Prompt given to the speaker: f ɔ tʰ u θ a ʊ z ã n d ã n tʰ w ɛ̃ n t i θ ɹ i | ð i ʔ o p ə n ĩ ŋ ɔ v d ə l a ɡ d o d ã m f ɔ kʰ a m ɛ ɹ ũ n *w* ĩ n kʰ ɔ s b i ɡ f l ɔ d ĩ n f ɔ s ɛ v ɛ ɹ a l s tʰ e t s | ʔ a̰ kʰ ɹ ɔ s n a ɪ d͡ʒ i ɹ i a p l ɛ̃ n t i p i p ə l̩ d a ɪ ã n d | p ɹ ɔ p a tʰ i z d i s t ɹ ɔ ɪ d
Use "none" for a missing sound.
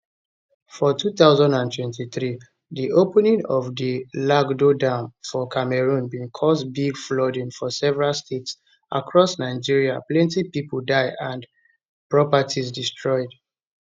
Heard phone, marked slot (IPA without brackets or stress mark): b